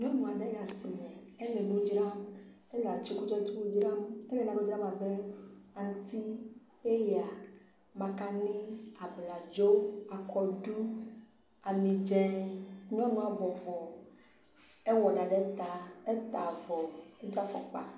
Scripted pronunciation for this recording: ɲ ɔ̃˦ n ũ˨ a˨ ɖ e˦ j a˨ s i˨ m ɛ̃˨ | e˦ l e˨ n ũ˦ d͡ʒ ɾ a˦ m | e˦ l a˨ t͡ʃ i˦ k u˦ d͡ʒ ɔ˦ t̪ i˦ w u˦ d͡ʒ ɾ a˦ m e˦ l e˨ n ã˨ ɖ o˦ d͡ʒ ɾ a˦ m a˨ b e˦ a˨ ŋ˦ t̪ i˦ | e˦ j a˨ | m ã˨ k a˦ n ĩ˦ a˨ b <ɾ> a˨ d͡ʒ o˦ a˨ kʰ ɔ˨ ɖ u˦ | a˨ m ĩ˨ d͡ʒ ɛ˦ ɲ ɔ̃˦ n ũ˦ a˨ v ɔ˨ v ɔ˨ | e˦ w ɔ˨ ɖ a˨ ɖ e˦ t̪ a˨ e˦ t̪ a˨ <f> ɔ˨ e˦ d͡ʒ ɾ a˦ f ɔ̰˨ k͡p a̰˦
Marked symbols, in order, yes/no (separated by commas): no, no